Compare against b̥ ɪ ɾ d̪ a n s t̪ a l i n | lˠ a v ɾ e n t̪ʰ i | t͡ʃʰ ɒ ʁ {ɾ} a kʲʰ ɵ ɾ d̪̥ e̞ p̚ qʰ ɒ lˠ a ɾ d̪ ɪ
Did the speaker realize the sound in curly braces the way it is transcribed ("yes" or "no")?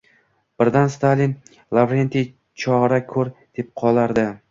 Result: yes